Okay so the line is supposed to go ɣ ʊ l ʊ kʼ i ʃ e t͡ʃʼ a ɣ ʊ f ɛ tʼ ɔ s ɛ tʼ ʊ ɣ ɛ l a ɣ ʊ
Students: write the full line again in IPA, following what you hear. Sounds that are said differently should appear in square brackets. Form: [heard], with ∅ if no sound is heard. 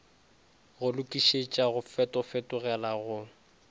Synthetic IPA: ɣ ʊ l ʊ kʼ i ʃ e t͡ʃʼ a ɣ ʊ f ɛ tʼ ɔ [f] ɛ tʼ ʊ ɣ ɛ l a ɣ ʊ